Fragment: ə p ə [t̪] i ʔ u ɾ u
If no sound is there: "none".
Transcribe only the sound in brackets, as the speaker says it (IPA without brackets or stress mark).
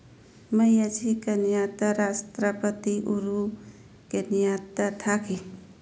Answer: t̪